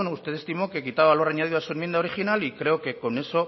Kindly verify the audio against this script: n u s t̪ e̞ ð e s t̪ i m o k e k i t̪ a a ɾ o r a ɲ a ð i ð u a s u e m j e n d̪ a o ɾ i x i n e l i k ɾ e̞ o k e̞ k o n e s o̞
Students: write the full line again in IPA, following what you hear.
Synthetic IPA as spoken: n u s t̪ e̞ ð e s t̪ i m o k e k i t̪ a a l o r a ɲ a ð i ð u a s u e m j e n d̪ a o ɾ i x i n a l i k ɾ e̞ o k e̞ k o n e s o̞